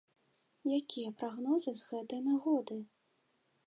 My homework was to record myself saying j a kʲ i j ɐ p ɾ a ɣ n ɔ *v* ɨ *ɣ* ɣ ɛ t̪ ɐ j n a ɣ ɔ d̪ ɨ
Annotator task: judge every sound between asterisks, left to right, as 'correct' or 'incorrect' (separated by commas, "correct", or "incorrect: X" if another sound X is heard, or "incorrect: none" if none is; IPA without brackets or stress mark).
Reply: incorrect: z, incorrect: z